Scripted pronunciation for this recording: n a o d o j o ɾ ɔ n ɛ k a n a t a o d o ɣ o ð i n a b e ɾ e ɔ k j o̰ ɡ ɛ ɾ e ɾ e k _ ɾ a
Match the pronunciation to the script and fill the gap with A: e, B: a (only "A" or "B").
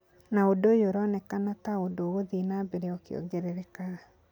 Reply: B